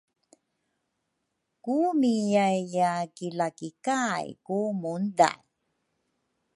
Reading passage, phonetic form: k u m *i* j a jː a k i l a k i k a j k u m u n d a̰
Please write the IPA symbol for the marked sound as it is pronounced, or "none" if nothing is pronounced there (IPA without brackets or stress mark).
i